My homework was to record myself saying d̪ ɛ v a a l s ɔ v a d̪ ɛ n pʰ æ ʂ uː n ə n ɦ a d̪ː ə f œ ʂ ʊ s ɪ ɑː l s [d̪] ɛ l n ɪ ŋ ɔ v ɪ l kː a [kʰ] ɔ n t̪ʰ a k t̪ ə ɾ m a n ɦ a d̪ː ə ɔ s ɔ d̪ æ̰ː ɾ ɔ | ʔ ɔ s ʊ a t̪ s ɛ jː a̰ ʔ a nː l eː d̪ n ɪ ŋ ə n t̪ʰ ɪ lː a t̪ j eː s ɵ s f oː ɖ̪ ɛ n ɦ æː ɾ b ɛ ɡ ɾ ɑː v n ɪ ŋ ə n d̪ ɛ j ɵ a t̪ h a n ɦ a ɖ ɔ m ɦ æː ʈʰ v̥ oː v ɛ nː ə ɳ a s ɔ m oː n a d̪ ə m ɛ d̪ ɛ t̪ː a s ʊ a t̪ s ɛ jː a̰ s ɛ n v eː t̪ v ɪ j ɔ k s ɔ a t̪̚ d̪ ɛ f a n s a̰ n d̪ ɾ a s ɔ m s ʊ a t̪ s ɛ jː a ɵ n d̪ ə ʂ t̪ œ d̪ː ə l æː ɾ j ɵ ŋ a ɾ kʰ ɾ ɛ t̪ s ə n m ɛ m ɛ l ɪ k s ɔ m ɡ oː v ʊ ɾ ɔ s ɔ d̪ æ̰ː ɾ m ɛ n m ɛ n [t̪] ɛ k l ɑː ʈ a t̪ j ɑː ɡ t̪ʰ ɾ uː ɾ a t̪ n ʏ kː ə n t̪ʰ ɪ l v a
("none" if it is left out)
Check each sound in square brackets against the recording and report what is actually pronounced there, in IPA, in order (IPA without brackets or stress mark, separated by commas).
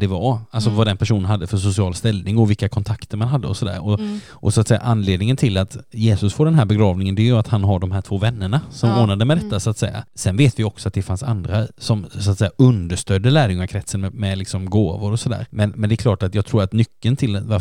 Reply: t̪, kʰ, d̪